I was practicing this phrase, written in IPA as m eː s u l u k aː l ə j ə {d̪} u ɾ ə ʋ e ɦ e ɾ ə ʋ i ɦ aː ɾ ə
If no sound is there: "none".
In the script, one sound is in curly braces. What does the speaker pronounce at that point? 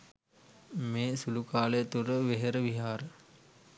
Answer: t̪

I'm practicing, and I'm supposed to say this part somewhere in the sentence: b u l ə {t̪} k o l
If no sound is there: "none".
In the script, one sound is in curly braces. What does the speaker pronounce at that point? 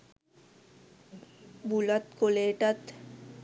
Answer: t̪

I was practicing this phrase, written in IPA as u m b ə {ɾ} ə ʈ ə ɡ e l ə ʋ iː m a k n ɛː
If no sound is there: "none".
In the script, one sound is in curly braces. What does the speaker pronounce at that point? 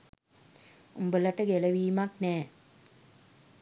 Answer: l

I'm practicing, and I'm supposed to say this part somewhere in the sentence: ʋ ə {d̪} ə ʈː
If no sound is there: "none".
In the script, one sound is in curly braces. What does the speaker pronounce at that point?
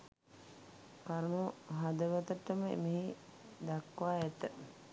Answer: t̪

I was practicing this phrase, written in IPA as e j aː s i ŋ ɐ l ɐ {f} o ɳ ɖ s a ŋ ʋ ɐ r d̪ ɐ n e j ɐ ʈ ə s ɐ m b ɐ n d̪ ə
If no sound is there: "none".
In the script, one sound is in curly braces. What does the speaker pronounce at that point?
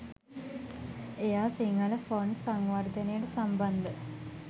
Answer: f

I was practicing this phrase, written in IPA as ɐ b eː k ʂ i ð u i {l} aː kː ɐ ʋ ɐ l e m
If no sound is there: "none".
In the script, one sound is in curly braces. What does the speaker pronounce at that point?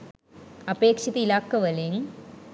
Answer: l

